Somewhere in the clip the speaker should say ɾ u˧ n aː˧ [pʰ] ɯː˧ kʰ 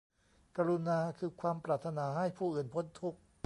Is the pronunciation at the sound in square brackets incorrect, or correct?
incorrect